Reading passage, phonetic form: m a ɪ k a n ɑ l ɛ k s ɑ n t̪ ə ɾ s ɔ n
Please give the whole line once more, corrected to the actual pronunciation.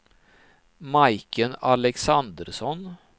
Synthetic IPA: m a ɪ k ə n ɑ l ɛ k s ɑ n d̪ ə ɾ s ɔ n

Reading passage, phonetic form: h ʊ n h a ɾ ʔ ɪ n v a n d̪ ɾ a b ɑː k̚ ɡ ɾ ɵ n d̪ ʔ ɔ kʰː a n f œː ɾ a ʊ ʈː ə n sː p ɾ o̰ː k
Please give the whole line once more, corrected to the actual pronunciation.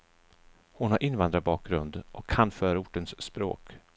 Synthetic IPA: h ʊ n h a ɾ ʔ ɪ n v a n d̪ ɾ a b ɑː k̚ ɡ ɾ ɵ n d̪ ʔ ɔ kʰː a n f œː ɾ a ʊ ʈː ə n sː p ɾ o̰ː k

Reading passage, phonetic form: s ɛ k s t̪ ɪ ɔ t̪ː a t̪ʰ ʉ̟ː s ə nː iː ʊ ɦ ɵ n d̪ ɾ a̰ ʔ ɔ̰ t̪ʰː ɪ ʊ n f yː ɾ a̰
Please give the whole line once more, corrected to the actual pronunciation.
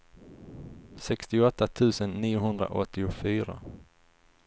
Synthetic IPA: s ɛ k s t̪ ɪ ɔ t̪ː a t̪ʰ ʉ̟ː s ə nː iː ʊ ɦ ɵ n d̪ ɾ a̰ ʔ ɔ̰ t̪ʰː ɪ ʊ f yː ɾ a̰

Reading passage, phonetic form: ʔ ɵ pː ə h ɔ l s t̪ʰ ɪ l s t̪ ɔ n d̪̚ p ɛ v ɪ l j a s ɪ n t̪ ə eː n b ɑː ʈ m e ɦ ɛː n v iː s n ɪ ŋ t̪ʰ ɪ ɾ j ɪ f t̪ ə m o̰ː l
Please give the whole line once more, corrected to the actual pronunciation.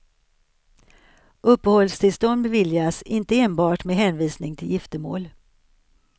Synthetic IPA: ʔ ɵ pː ə h ɔ l s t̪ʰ ɪ l s t̪ ɔ n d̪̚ b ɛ v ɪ l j a s ɪ n t̪ ə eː n b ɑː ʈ m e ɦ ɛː n v iː s n ɪ ŋ t̪ʰ ɪ l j ɪ f t̪ ə m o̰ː l

